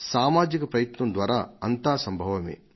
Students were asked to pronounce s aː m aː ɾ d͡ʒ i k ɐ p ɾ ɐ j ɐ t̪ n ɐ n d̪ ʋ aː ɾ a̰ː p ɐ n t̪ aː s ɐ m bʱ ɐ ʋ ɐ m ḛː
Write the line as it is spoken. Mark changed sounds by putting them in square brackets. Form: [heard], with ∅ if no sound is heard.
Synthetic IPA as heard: s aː m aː [∅] d͡ʒ i k ɐ p ɾ ɐ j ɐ t̪ n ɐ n d̪ ʋ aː ɾ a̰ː [∅] ɐ n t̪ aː s ɐ m bʱ ɐ ʋ ɐ m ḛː